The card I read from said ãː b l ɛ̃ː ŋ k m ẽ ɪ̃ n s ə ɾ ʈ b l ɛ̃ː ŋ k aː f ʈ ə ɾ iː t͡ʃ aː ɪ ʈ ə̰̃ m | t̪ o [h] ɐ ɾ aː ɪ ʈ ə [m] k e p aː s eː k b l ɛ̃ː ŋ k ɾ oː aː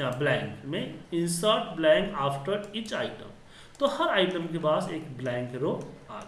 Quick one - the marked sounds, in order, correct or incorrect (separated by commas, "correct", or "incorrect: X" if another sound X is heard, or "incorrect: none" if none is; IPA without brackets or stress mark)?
correct, correct